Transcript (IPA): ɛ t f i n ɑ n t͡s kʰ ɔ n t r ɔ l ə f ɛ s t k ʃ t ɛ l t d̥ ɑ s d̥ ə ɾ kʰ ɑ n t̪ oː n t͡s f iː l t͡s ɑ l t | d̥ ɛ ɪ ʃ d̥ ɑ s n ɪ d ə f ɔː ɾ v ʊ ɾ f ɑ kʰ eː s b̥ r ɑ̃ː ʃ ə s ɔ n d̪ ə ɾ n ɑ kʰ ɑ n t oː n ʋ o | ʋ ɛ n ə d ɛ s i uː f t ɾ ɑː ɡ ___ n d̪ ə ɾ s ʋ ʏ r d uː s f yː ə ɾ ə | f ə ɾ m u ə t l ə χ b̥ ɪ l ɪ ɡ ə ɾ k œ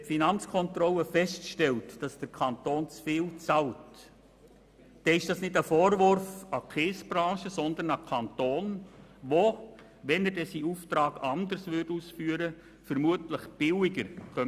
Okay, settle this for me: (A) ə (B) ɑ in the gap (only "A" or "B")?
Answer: B